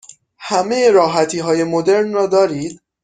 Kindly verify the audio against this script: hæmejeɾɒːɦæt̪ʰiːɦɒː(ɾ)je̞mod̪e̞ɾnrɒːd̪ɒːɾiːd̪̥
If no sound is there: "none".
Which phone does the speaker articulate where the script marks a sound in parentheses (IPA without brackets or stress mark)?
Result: none